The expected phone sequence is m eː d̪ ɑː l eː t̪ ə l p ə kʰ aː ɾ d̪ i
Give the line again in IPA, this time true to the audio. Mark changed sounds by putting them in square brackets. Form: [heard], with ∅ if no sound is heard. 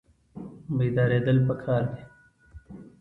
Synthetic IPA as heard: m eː d̪ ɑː [ɾ] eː [d̪] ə l p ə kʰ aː ɾ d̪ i